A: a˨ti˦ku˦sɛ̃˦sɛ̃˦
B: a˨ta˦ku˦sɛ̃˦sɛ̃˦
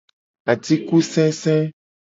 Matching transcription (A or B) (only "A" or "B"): A